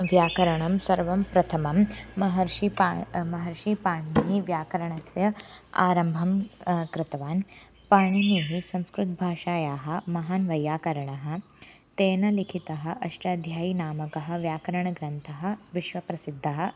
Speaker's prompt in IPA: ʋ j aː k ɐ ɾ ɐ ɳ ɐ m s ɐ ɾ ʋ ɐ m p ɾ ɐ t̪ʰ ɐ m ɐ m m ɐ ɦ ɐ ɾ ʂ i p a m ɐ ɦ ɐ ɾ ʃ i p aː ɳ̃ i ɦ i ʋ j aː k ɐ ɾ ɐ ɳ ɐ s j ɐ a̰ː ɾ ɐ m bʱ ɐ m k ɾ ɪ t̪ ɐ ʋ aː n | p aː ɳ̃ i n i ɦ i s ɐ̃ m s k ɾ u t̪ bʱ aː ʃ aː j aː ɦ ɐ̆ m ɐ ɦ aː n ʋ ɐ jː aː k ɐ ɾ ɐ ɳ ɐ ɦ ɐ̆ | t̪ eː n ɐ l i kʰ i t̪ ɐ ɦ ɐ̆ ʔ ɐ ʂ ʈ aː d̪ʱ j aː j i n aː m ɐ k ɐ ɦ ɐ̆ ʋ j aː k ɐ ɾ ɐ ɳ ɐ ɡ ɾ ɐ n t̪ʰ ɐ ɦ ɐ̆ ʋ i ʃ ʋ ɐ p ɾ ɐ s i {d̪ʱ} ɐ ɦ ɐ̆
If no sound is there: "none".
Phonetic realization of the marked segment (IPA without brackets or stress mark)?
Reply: d̪ʱː